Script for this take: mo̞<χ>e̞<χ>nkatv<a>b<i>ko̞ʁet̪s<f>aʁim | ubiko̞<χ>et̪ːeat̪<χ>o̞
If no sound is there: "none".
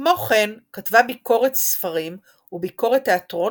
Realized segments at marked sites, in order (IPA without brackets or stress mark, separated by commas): χ, none, a, i, f, ʁ, ʁ